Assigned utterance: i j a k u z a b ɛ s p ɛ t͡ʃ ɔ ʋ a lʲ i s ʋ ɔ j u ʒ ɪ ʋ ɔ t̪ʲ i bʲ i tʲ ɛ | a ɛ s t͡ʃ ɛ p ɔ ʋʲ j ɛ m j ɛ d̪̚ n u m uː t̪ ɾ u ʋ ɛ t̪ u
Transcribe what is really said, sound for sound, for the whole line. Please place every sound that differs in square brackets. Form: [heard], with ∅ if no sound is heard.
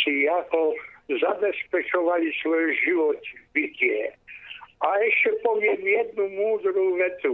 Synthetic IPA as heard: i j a k [ɔ] z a b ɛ s p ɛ t͡ʃ ɔ ʋ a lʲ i s ʋ ɔ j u ʒ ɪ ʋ ɔ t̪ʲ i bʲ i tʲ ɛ | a ɛ [ʃ] t͡ʃ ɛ p ɔ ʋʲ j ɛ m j ɛ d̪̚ n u m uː [d̪] ɾ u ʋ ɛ t̪ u